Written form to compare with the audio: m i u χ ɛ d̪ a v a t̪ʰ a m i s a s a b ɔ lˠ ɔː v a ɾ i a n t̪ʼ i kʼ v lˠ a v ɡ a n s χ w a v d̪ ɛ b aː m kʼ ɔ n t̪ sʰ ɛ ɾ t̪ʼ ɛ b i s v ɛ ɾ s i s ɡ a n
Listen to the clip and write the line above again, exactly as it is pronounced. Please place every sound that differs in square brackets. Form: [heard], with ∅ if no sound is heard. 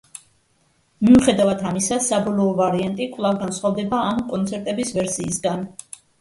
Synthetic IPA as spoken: m i u χ ɛ d̪ a v a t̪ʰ a m i s a s a b ɔ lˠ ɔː v a ɾ i a n t̪ʼ i kʼ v lˠ a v ɡ a n s χ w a v d̪ ɛ b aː m kʼ ɔ n t̪ sʰ ɛ ɾ t̪ʼ ɛ b i s v ɛ ɾ s [iː] s ɡ a n